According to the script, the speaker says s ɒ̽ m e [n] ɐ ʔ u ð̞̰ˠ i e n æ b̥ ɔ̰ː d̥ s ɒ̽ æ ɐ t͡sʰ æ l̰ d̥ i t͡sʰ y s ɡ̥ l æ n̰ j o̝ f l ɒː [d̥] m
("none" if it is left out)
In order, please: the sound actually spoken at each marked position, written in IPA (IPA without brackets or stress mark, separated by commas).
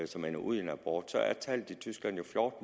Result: n, d̥